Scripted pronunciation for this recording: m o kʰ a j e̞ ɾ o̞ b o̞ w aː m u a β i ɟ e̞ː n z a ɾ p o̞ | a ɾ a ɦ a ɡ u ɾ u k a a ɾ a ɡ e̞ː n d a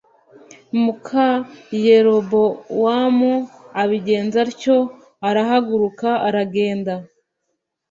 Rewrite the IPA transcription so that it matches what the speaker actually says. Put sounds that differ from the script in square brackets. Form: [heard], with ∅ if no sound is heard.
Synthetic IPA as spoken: m [u] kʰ a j e̞ ɾ o̞ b o̞ w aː m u a β i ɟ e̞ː n z a ɾ [c] o̞ | a ɾ a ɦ a ɡ u ɾ u k a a ɾ a ɡ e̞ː n d a